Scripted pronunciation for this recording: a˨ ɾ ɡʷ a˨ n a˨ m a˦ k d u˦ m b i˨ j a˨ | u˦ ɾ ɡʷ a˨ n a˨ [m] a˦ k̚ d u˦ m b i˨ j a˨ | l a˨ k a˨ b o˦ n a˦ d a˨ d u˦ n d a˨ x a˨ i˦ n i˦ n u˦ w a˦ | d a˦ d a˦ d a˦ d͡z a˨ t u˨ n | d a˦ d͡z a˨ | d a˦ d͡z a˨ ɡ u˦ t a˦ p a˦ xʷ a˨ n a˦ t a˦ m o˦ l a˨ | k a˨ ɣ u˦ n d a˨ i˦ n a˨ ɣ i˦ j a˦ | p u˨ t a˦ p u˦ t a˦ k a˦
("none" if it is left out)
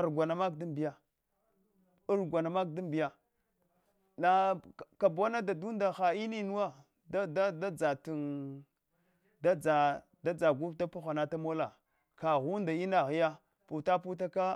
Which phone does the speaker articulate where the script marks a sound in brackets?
m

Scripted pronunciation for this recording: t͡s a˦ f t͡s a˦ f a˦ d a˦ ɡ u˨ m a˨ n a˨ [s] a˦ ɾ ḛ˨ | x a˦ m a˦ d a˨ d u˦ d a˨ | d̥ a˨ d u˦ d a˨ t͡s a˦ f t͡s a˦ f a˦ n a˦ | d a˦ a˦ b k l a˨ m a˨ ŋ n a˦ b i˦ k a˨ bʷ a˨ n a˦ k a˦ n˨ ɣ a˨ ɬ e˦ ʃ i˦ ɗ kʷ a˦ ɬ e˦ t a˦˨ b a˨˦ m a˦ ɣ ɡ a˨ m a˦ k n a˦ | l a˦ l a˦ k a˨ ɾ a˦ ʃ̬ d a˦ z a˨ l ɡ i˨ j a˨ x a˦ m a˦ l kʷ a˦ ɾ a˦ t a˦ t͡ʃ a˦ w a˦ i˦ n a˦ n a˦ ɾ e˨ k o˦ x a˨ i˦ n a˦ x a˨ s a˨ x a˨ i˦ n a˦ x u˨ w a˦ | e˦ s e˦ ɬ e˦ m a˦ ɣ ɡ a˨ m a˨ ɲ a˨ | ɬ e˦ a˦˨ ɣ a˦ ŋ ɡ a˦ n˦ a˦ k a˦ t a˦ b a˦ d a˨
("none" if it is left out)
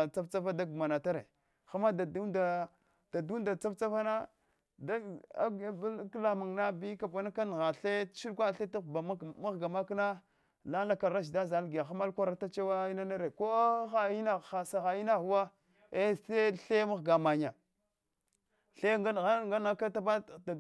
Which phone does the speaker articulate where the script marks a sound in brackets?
t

